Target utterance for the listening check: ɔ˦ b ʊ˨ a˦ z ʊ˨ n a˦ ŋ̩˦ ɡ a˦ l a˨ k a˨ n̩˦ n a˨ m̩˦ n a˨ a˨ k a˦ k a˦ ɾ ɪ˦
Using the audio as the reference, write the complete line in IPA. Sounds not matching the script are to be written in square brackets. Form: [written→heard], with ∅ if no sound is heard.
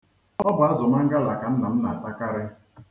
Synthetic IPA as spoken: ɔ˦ b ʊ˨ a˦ z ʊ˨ [n→m] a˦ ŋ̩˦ ɡ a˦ l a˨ k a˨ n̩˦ n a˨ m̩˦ n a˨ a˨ [k→t] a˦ k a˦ ɾ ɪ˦